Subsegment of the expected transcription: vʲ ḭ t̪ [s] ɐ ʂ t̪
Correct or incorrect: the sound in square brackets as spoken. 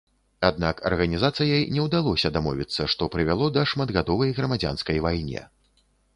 incorrect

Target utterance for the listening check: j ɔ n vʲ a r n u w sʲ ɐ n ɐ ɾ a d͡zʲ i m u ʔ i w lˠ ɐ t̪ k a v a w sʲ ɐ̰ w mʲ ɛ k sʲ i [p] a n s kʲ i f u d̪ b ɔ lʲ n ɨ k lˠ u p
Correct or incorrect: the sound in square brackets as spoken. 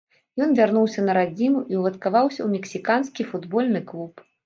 incorrect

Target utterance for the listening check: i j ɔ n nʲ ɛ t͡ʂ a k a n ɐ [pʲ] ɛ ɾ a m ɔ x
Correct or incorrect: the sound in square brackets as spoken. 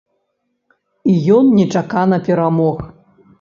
correct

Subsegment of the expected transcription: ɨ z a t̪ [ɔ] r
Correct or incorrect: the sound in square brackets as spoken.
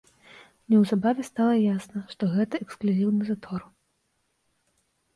correct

